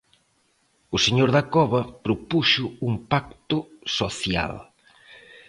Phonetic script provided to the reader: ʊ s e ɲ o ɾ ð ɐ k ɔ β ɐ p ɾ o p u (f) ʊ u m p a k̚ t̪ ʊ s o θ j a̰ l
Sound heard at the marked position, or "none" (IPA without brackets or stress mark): ʃ